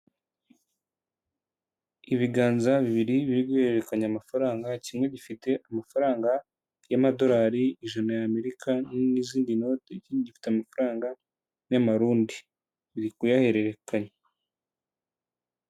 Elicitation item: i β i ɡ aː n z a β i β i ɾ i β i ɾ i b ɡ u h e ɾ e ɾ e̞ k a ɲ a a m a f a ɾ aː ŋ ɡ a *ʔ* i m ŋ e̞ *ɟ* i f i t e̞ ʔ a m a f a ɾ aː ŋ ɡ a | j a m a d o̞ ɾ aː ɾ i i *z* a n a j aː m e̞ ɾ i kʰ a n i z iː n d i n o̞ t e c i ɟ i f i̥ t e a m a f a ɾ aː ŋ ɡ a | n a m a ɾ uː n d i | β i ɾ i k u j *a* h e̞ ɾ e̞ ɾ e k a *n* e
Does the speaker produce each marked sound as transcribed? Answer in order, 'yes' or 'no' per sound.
no, yes, no, yes, no

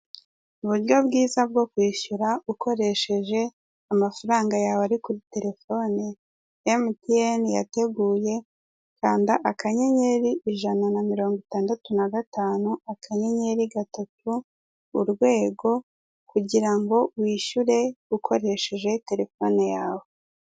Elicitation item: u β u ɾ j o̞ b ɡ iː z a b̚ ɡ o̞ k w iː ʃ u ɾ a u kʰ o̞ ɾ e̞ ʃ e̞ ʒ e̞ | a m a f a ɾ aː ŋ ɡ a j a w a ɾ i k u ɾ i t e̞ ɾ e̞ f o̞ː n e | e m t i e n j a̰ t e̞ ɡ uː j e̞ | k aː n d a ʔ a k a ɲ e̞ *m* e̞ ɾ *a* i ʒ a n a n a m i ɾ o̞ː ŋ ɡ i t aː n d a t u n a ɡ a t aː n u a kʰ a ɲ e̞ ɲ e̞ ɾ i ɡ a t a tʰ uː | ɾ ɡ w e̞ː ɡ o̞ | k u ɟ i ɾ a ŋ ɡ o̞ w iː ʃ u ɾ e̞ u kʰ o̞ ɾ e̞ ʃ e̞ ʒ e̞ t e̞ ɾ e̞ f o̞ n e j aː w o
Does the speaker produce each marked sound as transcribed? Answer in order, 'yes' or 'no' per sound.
no, no

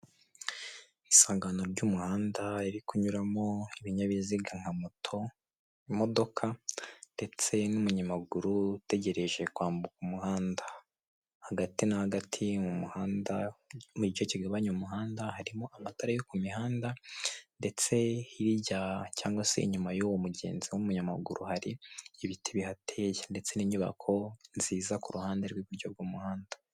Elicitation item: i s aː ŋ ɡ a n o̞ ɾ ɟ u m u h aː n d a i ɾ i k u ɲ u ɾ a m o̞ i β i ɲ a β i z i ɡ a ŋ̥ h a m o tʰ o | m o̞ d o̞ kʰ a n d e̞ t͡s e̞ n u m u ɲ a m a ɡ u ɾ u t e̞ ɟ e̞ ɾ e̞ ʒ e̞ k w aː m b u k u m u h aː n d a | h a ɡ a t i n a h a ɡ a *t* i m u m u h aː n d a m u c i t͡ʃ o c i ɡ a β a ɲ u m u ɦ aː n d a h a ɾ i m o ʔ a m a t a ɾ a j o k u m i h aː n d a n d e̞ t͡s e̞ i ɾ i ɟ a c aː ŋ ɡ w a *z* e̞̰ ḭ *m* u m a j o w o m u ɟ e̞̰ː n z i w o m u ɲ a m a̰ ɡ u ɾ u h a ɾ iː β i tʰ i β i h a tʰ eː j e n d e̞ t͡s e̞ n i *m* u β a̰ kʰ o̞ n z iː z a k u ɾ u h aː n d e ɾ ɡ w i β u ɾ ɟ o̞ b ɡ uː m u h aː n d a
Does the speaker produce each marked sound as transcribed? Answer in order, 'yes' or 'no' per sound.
no, no, no, no

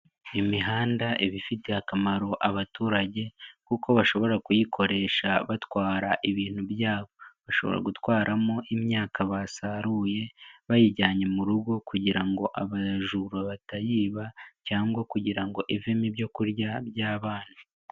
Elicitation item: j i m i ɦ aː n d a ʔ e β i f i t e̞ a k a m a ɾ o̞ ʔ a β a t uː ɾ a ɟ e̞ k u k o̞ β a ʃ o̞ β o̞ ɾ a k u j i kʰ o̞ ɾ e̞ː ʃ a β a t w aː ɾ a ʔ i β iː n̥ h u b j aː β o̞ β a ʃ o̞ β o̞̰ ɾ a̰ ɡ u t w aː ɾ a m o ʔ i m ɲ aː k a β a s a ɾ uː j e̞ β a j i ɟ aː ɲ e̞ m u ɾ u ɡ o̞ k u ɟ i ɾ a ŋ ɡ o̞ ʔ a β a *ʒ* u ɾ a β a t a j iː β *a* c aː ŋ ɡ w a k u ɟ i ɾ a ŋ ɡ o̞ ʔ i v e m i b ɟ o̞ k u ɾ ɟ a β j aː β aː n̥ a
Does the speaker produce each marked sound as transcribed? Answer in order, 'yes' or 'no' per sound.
yes, yes

